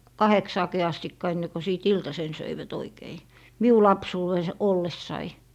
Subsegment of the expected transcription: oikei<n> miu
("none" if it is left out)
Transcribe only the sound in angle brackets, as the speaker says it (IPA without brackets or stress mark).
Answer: none